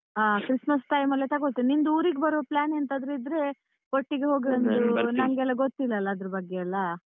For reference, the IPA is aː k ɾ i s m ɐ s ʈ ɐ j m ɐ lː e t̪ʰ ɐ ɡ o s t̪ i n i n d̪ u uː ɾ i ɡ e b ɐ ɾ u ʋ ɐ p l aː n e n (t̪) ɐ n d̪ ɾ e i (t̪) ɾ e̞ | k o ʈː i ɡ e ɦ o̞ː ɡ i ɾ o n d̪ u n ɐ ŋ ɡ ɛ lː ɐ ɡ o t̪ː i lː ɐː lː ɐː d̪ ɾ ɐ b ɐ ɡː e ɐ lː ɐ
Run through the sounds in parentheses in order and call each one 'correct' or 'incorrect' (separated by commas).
correct, incorrect